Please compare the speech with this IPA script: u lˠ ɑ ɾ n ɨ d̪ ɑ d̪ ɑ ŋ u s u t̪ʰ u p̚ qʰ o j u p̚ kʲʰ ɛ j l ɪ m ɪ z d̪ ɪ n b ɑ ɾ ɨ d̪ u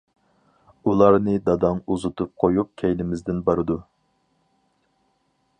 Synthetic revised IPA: u lˠ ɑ ɾ n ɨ d̪ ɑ d̪ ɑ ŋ u z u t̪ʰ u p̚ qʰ o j u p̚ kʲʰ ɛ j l ɪ m ɪ z d̪ ɪ n b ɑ ɾ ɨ d̪ u